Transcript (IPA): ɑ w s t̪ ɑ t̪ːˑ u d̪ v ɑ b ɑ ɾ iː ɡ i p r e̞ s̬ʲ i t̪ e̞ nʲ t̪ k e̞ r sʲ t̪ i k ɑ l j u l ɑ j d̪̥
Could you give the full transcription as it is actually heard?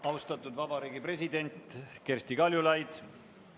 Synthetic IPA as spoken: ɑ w s t̪ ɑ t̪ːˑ u d̪ v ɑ b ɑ ɾ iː ɡ i p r e̞ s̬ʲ i d̪ e̞ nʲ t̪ k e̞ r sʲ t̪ i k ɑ l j u l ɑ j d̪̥